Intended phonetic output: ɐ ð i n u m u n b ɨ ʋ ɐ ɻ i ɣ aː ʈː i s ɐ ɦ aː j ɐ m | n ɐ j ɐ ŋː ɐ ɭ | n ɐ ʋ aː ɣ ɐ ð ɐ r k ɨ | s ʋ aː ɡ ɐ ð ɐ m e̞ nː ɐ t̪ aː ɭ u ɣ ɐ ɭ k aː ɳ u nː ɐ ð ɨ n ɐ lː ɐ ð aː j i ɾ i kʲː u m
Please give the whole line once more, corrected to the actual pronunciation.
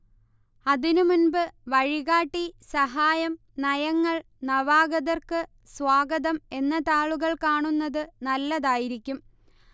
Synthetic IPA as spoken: ɐ ð i n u m u n b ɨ ʋ ɐ ɻ i ɣ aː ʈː i s ɐ ɦ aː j ɐ m | n ɐ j ɐ ŋː ɐ ɭ | n ɐ ʋ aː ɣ ɐ ð ɐ r k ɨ | s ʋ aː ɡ ɐ ð ɐ m e̞ nː ɐ t̪ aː ɭ u ɣ ɐ ɭ k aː ɳ u nː ɐ ð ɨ n ɐ lː ɐ ð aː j i ɾ i kʲː u m